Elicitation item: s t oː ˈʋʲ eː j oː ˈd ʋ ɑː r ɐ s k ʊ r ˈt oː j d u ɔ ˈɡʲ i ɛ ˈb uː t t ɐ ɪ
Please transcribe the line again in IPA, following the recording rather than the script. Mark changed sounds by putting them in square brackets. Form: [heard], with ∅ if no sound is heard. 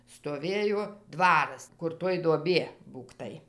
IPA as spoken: s t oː ˈʋʲ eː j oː ˈd ʋ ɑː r ɐ s k ʊ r ˈt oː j d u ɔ [ˈbʲ] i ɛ ˈb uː [k] t ɐ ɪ